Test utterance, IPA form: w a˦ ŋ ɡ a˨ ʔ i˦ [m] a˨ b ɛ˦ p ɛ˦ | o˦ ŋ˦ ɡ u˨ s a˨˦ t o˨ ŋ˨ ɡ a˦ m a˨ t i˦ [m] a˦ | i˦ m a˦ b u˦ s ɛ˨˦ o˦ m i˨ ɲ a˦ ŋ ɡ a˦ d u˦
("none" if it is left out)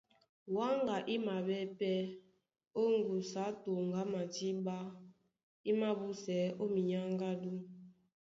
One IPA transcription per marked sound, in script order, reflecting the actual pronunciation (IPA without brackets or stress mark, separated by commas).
m, b